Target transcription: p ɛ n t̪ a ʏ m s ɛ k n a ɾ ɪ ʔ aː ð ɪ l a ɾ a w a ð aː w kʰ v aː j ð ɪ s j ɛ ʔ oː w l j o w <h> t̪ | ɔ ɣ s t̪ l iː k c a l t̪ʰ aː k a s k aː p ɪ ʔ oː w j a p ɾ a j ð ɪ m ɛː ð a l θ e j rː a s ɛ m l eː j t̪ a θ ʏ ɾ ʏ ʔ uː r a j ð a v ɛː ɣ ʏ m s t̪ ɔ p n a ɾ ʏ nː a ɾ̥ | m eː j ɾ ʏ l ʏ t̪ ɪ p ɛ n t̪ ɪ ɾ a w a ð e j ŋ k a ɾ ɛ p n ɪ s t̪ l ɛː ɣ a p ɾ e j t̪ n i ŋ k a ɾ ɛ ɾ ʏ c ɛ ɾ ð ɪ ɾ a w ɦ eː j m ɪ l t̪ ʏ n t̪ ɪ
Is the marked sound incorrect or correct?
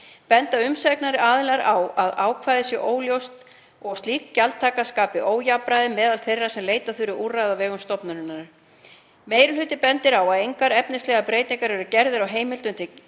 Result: incorrect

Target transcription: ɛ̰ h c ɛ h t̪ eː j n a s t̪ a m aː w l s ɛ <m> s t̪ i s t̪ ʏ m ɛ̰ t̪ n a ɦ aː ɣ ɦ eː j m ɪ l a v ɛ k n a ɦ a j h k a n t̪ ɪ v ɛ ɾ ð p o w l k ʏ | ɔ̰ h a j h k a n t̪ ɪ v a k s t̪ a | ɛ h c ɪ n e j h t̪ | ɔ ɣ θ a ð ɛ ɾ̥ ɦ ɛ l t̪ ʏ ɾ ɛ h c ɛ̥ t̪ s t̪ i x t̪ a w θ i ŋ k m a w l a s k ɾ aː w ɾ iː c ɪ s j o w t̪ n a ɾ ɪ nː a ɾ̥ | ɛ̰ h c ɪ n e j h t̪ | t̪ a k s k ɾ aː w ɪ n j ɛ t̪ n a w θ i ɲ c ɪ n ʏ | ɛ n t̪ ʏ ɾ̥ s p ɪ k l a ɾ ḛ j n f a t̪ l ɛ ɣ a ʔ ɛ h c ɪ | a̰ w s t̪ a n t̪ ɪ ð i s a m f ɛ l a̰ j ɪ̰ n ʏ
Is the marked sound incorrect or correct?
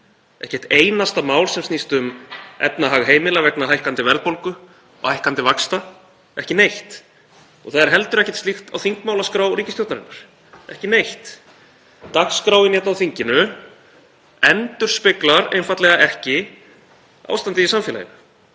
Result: correct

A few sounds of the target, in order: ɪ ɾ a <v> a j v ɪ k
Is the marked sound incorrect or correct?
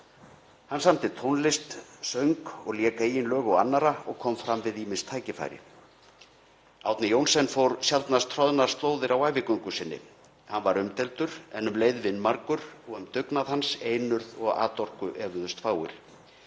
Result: incorrect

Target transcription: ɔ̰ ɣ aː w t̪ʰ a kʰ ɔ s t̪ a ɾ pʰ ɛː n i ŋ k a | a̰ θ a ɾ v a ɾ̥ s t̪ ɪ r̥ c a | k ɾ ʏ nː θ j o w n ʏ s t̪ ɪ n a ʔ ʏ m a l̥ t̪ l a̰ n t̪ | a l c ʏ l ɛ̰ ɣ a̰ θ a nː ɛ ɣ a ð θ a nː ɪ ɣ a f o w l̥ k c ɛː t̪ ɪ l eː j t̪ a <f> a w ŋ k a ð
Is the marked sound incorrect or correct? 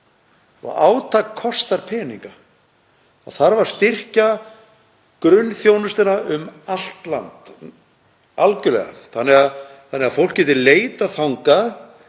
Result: incorrect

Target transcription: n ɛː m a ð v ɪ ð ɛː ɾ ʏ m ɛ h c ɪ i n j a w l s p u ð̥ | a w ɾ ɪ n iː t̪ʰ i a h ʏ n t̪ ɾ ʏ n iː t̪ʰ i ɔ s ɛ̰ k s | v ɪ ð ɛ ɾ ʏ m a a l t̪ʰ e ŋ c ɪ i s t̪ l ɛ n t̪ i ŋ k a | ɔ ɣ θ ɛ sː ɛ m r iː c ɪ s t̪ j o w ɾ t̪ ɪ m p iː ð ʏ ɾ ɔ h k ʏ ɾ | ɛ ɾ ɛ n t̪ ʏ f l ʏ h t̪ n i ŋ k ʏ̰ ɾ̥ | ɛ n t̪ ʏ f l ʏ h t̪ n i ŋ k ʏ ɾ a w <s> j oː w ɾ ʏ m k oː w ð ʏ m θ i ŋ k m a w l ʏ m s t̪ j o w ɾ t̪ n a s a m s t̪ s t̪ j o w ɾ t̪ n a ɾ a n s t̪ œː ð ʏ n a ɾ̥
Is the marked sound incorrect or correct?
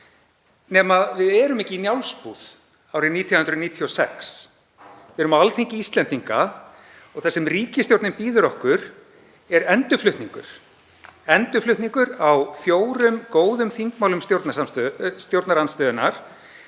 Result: incorrect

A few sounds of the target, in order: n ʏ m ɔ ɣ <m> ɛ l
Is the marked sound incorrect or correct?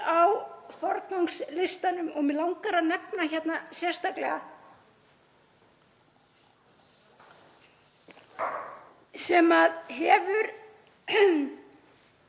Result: correct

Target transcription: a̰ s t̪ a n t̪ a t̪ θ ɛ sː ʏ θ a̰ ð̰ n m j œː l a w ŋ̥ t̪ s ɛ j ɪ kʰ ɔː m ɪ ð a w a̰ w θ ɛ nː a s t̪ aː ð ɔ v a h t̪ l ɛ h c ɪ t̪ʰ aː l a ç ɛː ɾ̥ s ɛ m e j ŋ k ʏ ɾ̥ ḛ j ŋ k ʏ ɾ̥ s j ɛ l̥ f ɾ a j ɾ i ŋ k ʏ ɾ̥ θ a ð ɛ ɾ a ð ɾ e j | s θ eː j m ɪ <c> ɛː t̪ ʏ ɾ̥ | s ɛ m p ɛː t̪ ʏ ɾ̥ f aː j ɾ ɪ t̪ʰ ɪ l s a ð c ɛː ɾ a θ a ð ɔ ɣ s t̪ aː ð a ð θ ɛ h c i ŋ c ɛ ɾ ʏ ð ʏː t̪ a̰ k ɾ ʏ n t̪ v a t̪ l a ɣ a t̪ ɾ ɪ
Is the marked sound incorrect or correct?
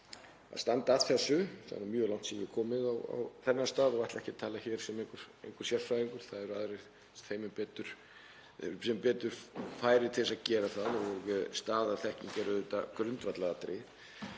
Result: incorrect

